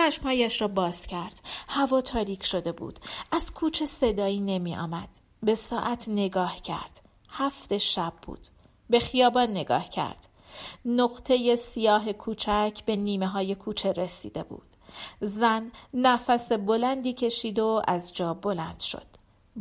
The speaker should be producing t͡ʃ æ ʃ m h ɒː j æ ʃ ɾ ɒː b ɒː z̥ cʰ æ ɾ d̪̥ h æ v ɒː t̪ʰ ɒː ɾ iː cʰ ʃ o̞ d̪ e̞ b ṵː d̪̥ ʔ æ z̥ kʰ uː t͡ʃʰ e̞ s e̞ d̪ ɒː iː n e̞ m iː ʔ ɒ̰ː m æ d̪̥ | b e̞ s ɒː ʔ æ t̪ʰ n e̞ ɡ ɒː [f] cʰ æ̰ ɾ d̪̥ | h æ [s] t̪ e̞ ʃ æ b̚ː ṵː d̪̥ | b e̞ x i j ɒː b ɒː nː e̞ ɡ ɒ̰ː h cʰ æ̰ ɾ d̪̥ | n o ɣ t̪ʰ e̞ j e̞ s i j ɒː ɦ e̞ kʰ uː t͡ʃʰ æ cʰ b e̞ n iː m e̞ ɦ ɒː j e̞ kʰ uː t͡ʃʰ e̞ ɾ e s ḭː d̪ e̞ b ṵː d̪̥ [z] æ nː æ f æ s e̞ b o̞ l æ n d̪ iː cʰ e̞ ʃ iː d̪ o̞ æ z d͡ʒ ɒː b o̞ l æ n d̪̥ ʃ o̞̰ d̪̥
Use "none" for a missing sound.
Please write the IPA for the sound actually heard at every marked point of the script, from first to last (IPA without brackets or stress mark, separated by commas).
h, f, z